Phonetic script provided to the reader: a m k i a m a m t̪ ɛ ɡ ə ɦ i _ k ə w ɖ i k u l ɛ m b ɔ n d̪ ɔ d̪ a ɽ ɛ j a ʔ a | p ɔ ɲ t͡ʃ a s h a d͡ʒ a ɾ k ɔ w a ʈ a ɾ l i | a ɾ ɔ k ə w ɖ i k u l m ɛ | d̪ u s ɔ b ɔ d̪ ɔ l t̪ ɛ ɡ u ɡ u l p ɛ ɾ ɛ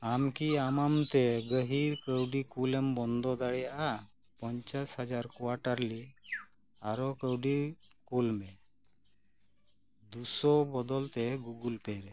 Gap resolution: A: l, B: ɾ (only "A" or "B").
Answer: B